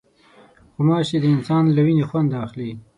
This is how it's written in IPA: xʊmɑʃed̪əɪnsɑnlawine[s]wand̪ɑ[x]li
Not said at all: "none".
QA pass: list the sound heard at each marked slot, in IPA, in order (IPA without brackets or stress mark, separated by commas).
x, x